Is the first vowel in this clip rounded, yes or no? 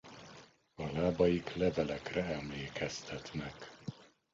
yes